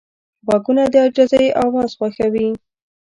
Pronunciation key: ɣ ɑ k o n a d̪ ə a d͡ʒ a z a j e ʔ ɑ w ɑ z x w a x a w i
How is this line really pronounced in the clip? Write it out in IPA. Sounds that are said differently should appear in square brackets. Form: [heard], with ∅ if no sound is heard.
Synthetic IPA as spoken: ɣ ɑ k [u] n a d̪ ə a d͡ʒ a z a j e ʔ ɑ w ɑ z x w a x a w i